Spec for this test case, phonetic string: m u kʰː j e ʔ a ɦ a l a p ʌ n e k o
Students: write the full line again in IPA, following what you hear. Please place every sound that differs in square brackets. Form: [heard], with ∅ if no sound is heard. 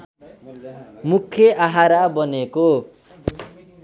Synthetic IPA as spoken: m u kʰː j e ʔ a ɦ a [ɾ] a [b] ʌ n e k o